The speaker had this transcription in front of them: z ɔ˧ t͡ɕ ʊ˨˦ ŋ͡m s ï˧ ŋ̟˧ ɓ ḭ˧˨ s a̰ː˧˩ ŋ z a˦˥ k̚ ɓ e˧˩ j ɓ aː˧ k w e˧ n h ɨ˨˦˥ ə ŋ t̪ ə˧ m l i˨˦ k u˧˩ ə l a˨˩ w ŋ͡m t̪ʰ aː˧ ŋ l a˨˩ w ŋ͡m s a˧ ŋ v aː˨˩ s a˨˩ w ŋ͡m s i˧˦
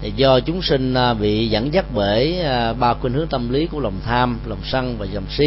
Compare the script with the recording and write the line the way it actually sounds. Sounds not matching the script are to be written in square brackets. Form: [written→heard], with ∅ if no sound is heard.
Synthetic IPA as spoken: z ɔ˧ t͡ɕ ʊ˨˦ ŋ͡m s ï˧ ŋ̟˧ ɓ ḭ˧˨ [s→z] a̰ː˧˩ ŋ z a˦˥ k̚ ɓ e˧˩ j ɓ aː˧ k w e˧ n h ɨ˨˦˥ ə ŋ t̪ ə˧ m l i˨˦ k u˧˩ ə l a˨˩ w ŋ͡m t̪ʰ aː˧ [ŋ→m] l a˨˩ w ŋ͡m s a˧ ŋ v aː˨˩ [s→z] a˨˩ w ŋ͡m s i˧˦